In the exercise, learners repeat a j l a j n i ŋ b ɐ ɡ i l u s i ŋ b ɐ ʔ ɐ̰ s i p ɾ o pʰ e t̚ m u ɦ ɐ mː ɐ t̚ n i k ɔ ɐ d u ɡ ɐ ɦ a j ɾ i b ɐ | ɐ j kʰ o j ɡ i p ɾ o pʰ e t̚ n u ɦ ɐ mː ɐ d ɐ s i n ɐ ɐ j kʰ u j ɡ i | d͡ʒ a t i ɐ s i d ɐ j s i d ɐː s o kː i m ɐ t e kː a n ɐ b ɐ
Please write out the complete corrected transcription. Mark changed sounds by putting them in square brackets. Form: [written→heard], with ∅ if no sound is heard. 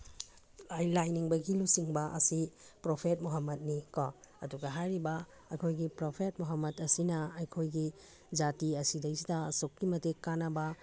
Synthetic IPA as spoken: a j l a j n i ŋ b ɐ ɡ i l u s i ŋ b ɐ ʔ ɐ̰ s i p ɾ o pʰ e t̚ m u ɦ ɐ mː ɐ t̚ n i k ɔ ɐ d u ɡ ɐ ɦ a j ɾ i b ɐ | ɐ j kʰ o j ɡ i p ɾ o pʰ e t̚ [n→m] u ɦ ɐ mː ɐ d ɐ s i n ɐ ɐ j kʰ [u→o] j ɡ i | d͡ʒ a t i ɐ s i d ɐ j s i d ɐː s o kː i m ɐ t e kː a n ɐ b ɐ